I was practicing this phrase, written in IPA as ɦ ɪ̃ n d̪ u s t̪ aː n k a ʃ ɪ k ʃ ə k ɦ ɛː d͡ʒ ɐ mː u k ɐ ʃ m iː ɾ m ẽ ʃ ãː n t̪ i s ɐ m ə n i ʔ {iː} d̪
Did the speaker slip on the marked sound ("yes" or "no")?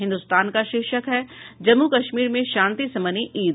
no